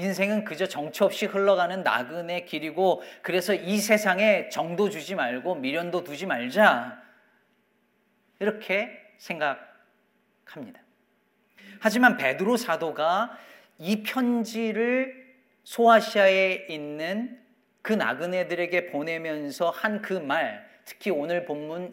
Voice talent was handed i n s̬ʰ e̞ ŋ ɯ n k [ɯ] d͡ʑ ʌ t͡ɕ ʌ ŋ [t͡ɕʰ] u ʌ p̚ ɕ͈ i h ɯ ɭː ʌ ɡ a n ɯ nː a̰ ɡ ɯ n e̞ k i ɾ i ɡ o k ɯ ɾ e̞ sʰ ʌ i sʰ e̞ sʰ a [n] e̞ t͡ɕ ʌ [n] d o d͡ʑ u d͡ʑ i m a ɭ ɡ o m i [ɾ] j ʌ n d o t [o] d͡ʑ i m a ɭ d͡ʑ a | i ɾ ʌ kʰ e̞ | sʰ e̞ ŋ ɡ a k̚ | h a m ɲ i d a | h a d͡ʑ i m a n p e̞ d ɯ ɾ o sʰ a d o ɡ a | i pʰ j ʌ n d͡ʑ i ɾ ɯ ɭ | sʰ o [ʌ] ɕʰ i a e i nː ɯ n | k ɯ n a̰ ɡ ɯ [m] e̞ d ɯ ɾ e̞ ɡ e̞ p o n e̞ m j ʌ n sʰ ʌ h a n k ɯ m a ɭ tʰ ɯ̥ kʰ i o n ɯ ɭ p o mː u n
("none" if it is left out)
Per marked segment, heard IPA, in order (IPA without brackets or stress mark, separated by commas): ɯ, t͡ɕʰ, ŋ, ŋ, ɾ, u, a, n